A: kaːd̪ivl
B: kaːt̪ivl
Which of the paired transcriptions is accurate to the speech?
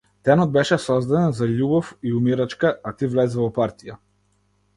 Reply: B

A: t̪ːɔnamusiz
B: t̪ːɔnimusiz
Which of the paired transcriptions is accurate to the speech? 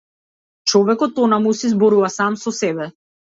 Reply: A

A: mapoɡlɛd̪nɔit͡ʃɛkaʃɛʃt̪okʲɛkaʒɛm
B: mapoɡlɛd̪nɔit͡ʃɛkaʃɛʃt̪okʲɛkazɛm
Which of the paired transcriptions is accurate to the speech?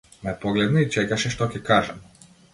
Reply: A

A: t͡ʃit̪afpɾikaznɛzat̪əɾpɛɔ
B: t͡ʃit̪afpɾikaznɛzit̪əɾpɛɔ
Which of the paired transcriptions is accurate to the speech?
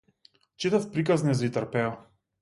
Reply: B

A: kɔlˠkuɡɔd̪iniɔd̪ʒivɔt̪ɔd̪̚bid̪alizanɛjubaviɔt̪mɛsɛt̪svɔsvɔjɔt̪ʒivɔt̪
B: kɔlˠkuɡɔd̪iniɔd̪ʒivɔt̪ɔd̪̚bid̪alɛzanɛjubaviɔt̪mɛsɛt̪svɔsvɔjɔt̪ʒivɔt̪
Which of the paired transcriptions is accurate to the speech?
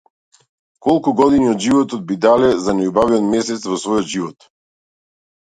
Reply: B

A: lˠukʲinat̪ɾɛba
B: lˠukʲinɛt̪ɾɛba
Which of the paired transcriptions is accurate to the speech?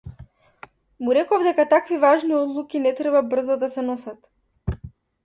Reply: B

